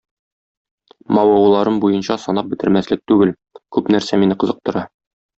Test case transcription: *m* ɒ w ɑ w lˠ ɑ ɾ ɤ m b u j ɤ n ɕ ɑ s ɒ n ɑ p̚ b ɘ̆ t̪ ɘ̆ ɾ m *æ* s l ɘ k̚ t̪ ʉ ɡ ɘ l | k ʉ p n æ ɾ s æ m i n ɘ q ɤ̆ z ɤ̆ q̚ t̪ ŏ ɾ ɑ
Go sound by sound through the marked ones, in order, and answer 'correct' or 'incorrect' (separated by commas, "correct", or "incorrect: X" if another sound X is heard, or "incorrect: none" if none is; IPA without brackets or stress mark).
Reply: correct, correct